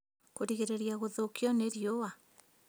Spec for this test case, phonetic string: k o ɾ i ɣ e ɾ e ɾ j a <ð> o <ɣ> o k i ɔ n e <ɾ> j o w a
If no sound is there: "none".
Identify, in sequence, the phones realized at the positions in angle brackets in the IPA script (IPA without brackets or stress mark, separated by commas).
ɣ, ð, ɾ